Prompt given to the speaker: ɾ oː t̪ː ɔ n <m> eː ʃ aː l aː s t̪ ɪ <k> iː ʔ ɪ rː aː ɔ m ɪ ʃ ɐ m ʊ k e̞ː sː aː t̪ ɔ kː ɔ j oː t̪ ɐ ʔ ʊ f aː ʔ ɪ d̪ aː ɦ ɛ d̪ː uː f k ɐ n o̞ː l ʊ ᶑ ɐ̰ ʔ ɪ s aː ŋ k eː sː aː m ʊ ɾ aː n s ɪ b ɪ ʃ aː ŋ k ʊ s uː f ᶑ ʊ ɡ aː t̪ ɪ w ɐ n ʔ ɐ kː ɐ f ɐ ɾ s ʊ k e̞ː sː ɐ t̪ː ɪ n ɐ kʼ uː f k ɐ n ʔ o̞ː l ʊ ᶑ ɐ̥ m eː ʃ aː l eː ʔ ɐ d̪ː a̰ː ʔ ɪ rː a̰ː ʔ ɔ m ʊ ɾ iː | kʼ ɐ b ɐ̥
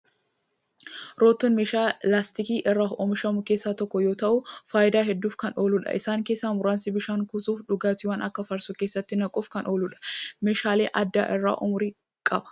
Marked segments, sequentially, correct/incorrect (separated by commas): correct, correct